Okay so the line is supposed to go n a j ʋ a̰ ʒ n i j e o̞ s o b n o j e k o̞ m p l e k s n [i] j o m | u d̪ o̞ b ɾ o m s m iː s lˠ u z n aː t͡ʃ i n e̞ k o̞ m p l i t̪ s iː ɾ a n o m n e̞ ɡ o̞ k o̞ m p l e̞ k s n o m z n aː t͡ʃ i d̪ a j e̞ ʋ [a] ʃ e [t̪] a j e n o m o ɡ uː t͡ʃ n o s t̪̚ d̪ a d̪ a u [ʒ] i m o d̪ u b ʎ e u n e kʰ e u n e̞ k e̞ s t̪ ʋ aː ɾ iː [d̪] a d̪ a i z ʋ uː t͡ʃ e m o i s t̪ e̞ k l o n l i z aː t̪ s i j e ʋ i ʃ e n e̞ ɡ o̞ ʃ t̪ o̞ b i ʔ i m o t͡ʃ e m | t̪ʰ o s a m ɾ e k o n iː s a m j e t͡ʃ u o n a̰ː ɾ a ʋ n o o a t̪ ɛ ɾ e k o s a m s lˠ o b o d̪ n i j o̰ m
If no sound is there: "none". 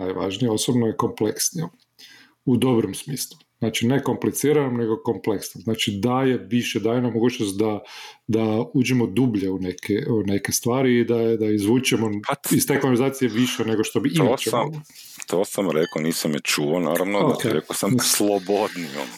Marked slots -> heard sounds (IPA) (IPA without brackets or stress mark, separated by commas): i, i, d̪, d͡ʒ, d̪